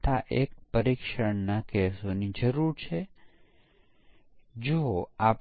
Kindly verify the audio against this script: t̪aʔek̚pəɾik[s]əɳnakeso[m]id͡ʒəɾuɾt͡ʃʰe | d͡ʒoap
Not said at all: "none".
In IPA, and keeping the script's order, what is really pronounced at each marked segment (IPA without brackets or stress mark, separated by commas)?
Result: ʃ, n